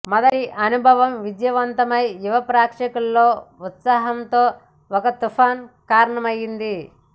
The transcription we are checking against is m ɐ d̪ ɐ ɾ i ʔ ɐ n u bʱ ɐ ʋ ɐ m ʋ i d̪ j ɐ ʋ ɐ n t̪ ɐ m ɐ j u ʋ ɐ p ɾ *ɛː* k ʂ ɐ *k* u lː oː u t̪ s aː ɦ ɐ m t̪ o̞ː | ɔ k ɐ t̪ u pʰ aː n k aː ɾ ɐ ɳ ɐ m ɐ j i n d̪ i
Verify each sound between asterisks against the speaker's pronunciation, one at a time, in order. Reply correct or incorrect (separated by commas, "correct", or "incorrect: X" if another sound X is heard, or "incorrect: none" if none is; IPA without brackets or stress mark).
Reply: incorrect: aː, correct